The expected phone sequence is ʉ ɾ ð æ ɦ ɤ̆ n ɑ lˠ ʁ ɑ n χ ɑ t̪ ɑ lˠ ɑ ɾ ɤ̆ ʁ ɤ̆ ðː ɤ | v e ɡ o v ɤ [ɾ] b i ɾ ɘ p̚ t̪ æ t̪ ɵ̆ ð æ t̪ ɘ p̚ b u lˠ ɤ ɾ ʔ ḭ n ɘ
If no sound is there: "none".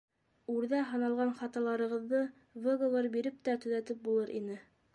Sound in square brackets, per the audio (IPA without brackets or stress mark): ɾ